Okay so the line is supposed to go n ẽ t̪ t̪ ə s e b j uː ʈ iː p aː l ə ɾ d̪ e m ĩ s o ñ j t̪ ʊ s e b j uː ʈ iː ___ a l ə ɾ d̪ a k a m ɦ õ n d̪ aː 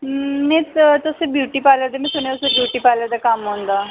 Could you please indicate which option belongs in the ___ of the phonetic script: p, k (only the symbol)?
p